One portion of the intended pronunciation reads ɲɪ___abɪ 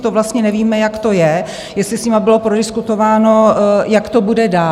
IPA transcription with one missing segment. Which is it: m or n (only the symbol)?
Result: m